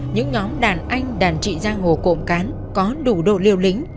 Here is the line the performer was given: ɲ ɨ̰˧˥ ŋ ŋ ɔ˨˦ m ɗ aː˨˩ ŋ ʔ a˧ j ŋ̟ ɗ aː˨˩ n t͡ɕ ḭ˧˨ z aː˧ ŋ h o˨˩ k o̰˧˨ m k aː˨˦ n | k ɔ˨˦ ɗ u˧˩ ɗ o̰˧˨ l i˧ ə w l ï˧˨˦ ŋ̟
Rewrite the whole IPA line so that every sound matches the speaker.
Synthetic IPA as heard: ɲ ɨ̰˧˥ ŋ ɲ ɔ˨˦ m ɗ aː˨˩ n ʔ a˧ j ŋ̟ ɗ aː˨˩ n t͡ɕ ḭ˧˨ z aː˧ ŋ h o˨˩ k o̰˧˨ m k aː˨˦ n | k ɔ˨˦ ɗ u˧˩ ɗ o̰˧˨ l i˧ ə w l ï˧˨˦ ŋ̟